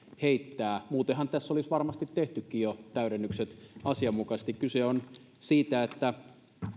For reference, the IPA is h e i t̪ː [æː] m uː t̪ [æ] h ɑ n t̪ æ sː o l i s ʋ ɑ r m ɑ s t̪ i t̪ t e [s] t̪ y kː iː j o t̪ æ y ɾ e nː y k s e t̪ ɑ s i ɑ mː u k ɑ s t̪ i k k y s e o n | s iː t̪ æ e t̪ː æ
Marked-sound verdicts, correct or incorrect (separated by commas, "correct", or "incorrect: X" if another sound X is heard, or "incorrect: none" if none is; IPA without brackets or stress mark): correct, incorrect: e, incorrect: h